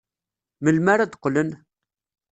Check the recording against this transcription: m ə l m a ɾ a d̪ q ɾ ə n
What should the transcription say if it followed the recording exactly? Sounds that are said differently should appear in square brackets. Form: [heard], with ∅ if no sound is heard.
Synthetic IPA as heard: m ə l m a ɾ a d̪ q [l] ə n